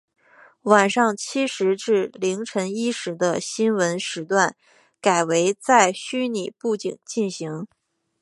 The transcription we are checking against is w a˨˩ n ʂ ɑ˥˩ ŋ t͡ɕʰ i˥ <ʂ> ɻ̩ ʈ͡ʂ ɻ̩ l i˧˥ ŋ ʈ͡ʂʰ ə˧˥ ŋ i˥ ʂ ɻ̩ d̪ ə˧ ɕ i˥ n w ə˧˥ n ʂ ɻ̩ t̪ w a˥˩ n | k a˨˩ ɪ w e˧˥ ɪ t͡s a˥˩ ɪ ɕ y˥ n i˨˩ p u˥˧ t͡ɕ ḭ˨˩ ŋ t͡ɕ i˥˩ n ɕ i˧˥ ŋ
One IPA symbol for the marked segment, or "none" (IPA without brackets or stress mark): ʂ